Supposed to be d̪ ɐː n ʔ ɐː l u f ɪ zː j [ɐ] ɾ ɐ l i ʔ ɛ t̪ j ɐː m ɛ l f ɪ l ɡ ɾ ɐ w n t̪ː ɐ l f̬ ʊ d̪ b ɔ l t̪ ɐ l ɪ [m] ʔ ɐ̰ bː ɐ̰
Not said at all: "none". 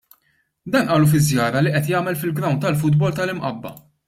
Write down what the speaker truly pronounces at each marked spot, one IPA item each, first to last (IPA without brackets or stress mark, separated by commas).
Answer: ɐː, m